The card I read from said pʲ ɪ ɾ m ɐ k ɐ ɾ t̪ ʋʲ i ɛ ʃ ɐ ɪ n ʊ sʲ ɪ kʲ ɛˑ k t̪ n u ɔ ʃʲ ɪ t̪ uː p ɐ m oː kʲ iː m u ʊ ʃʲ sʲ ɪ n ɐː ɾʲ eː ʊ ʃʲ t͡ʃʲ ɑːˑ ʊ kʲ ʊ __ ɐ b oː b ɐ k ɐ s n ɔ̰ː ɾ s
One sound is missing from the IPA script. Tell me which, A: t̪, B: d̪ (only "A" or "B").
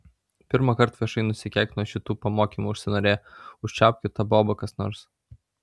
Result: A